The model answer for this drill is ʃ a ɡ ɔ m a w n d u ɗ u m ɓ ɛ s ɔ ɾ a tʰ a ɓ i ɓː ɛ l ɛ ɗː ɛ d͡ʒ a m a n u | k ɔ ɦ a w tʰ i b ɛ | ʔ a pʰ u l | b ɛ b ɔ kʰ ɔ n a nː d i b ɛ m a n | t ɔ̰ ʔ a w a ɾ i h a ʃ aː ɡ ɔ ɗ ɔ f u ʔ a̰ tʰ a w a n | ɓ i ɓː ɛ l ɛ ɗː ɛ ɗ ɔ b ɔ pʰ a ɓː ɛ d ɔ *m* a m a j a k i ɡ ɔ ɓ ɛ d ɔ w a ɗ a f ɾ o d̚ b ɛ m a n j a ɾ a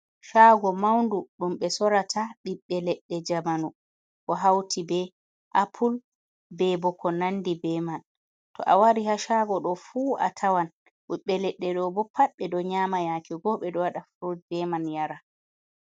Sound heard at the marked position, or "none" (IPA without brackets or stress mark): ɲ